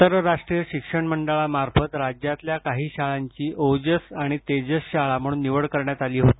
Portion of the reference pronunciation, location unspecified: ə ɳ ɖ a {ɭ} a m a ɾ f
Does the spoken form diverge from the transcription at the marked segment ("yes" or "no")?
no